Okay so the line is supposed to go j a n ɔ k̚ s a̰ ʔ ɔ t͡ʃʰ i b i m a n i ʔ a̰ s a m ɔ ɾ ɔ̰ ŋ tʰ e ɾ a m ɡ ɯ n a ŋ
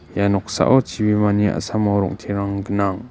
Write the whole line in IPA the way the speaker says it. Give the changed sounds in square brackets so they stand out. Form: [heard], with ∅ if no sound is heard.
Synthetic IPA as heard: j a n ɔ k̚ s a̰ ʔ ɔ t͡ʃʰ i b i m a n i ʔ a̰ s a m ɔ ɾ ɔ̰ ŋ tʰ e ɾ a [ŋ] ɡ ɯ n a ŋ